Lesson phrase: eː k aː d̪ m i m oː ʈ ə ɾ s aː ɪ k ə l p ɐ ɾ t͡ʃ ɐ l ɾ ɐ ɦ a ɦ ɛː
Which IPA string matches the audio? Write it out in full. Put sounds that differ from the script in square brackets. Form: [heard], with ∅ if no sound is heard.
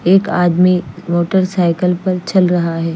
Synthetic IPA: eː k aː d̪ m i m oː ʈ ə ɾ s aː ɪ k ə l p ɐ ɾ t͡ʃ ɐ l ɾ ɐ ɦ a ɦ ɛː